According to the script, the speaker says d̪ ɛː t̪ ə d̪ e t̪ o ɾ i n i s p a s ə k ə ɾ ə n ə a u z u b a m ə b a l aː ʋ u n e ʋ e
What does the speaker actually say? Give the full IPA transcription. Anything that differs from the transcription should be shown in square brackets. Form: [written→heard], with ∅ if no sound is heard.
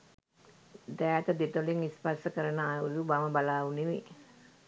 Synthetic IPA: d̪ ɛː t̪ ə d̪ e t̪ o [ɾ→l] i [n→ŋ] i s p a s ə k ə ɾ ə n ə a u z u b a m ə b a l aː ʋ u n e ʋ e